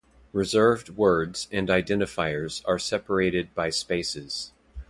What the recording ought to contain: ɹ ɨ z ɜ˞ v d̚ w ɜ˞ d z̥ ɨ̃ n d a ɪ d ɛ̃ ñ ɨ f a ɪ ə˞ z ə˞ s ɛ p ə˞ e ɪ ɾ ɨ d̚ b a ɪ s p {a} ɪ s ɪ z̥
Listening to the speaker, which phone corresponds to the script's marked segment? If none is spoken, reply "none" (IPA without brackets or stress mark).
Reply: e